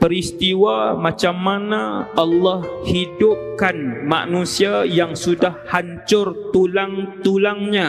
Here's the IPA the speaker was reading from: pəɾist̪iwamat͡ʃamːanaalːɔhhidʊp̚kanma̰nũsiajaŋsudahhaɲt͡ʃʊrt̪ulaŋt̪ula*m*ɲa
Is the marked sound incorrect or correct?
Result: incorrect: ŋ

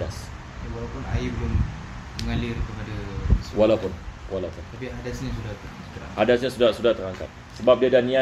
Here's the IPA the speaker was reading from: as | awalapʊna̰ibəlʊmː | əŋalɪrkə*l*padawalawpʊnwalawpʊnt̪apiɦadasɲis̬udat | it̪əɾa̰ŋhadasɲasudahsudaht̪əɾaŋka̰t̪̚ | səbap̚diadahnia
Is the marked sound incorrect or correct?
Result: incorrect: none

